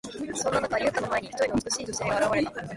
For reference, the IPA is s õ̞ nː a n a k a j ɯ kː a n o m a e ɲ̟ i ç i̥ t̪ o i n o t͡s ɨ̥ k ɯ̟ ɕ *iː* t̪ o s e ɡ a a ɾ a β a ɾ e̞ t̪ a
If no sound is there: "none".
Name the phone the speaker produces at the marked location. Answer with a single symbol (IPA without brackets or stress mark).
iː